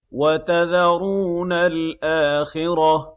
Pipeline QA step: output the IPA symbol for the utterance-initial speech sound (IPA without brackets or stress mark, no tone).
w